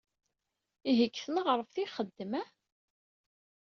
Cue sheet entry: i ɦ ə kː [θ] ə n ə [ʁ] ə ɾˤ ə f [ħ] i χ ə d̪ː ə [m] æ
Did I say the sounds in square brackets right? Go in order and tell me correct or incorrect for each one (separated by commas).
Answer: correct, correct, incorrect, correct